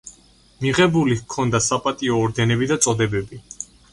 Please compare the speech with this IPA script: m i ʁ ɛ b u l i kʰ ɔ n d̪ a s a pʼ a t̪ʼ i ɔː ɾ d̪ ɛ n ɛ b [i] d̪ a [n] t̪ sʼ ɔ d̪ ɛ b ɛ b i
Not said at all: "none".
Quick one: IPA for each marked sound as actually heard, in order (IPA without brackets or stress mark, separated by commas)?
i, none